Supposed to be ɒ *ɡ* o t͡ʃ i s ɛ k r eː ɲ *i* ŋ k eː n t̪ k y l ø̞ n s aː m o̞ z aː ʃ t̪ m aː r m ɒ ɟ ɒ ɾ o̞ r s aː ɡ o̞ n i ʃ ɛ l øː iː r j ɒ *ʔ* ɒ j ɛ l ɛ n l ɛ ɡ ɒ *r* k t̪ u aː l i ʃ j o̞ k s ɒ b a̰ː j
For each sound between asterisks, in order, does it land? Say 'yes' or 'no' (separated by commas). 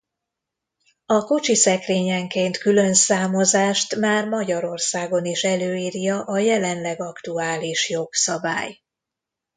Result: no, no, yes, no